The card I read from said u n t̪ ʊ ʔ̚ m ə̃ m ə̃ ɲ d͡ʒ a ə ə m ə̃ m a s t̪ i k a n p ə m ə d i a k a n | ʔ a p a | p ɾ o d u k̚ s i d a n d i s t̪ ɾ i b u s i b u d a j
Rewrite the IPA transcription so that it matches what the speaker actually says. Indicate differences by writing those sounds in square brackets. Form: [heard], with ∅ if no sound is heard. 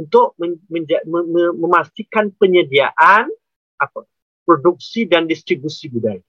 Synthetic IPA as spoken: u n t̪ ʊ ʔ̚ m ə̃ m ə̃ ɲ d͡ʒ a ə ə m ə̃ m a s t̪ i k a n p ə [ɲ] ə d i a [ʔ] a n | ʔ a p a | p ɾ o d u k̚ s i d a n d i s t̪ ɾ i b u s i b u d a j